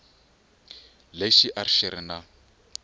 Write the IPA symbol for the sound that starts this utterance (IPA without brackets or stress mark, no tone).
l